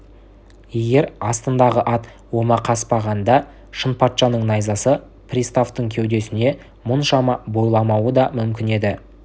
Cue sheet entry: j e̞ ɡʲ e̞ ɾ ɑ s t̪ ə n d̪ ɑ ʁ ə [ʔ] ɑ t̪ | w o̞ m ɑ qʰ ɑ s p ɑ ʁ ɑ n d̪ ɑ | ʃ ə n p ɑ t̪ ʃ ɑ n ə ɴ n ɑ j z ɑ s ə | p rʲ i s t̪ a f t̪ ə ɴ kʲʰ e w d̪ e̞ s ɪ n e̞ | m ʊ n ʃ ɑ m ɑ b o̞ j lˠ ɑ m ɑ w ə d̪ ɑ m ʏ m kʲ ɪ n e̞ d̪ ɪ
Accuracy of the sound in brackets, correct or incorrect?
correct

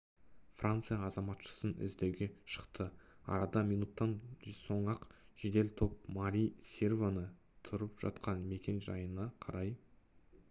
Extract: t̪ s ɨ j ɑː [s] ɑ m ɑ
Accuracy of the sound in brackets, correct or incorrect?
incorrect: z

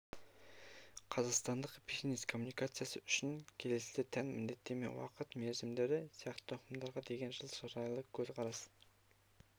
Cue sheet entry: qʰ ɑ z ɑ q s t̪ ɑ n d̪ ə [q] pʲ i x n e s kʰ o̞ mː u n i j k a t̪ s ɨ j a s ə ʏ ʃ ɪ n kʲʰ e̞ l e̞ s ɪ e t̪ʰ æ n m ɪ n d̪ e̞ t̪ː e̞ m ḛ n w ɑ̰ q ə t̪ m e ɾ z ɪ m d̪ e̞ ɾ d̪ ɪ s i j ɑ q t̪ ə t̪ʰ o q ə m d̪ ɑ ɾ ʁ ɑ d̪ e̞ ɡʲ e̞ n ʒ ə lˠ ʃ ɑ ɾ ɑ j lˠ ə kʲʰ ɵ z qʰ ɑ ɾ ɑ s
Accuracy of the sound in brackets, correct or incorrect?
correct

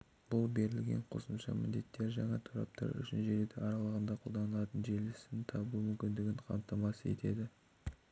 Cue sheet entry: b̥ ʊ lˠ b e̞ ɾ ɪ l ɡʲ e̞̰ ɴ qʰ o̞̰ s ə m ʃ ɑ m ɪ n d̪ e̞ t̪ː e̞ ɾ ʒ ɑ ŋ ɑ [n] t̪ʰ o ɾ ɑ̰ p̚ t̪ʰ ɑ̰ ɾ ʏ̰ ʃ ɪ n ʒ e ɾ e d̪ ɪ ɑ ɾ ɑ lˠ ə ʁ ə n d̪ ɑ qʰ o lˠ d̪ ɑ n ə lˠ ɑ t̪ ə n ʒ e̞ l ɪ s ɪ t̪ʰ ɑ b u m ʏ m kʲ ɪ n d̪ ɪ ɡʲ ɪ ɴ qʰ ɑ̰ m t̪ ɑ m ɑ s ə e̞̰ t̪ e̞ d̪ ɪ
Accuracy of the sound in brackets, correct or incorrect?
incorrect: none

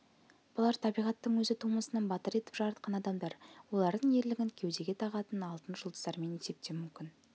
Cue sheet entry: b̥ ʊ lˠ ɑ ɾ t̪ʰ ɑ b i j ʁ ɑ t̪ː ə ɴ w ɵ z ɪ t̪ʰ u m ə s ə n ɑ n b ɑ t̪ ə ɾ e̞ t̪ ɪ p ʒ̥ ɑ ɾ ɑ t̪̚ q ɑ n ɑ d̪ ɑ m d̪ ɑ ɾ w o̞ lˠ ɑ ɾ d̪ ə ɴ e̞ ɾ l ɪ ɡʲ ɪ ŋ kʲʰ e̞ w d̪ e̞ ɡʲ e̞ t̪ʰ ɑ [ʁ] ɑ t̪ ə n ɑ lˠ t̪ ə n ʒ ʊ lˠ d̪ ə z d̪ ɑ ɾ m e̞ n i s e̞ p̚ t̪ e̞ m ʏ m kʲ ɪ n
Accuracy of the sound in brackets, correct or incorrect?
correct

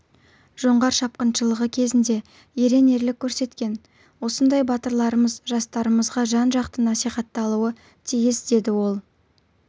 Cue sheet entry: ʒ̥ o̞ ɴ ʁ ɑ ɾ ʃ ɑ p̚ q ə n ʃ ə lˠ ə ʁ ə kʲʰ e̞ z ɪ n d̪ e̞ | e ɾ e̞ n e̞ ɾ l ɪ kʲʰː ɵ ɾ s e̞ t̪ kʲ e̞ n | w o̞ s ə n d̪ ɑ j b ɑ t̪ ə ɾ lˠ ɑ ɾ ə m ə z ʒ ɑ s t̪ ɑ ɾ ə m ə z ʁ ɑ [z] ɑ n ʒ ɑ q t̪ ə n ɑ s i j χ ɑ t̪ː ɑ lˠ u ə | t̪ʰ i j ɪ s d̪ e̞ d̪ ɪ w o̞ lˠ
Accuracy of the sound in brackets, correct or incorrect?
incorrect: ʒ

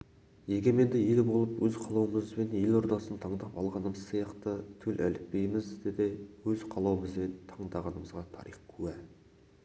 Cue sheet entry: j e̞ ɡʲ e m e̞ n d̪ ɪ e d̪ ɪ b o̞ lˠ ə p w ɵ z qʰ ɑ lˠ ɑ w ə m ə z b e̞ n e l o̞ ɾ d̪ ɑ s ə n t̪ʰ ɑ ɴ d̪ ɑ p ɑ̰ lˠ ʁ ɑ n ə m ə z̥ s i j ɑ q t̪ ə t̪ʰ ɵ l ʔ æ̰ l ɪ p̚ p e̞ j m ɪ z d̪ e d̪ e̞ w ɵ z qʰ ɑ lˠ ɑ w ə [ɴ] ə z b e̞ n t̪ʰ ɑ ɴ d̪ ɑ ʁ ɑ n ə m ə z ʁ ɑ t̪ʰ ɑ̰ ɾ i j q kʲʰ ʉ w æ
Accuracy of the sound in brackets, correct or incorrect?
incorrect: m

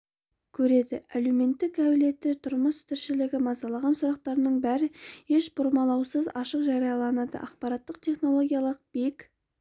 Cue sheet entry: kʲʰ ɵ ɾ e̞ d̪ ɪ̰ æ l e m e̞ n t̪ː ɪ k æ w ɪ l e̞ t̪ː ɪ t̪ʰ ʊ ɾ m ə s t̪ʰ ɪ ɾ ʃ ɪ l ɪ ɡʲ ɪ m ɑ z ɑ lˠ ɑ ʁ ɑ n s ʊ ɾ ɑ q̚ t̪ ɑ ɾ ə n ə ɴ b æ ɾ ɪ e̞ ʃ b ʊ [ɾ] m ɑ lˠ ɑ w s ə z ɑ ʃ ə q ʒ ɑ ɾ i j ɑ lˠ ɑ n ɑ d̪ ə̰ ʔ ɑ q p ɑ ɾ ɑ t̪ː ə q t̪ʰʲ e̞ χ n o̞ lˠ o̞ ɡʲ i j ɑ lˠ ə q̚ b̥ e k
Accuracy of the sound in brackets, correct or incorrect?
correct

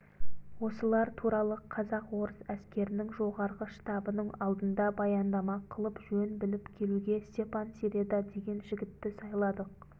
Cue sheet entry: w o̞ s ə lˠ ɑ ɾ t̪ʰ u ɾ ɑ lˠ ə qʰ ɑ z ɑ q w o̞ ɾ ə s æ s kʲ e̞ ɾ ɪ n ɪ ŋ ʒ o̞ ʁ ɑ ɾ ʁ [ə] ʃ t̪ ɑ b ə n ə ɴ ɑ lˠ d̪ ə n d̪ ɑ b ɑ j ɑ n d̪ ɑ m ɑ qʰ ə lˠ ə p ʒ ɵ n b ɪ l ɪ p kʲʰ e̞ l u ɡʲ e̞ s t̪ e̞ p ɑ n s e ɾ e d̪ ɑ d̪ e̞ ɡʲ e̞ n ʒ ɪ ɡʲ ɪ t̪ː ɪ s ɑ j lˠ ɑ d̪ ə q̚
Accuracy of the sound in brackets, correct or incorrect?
correct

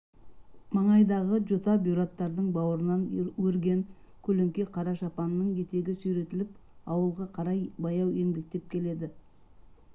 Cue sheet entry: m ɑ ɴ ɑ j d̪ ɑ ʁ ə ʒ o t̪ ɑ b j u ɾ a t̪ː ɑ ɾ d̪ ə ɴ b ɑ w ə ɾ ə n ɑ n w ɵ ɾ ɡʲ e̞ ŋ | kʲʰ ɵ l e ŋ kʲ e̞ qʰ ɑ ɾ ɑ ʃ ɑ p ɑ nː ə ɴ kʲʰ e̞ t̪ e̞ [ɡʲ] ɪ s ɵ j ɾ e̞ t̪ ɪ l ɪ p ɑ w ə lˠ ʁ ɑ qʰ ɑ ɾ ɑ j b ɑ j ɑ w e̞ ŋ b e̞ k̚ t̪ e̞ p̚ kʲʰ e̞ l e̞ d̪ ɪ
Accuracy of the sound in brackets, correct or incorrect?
correct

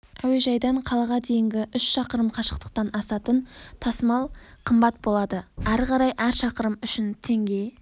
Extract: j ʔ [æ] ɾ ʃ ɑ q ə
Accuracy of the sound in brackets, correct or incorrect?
correct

